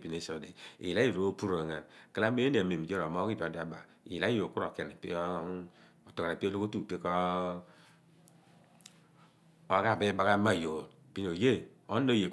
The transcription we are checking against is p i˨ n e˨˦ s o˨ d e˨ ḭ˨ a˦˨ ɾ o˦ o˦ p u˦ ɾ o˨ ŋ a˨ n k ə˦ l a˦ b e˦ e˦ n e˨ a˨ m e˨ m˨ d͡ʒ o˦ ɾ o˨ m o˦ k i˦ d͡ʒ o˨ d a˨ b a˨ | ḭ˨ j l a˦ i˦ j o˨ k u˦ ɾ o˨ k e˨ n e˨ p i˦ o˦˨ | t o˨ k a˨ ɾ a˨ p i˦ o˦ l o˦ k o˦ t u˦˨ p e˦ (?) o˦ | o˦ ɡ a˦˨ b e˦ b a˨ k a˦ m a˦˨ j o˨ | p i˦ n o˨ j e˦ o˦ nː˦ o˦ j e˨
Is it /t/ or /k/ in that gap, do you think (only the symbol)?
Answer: k